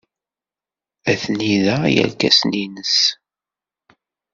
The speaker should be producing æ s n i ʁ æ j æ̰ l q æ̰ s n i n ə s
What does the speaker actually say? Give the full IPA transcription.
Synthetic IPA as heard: æ θ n i ð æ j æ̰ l k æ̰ s n i n ə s